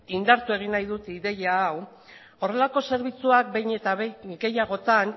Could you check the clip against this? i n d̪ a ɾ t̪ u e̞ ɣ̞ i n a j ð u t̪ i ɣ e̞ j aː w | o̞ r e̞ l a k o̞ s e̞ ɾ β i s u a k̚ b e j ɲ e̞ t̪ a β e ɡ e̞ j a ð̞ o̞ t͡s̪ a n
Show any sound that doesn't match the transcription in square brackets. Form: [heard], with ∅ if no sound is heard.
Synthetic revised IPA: i n d̪ a ɾ t̪ u e̞ ɣ̞ i n a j ð u t̪ i [ð] e̞ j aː w | o̞ r e̞ l a k o̞ s e̞ ɾ β i [t͡s] u a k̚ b e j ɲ e̞ t̪ a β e ɡ e̞ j a [ɣ̞] o̞ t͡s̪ a n